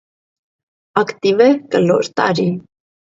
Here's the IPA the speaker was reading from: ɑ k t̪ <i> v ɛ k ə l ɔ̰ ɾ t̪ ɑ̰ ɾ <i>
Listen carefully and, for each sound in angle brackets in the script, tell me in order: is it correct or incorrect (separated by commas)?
correct, correct